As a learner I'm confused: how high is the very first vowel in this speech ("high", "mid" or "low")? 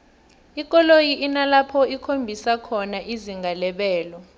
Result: high